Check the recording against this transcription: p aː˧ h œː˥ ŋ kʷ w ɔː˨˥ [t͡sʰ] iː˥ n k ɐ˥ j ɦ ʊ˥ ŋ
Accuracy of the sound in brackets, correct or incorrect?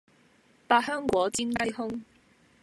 incorrect